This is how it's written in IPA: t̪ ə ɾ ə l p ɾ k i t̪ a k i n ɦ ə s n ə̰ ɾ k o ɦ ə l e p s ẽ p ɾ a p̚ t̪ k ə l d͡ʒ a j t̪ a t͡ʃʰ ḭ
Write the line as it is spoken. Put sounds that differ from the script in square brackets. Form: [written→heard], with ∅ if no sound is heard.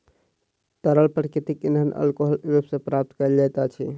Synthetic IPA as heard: t̪ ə ɾ ə l p ɾ k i t̪ [a→i] k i n ɦ ə [s→∅] n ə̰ [ɾ→l] k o ɦ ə l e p s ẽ p ɾ a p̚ t̪ k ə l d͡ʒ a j t̪ a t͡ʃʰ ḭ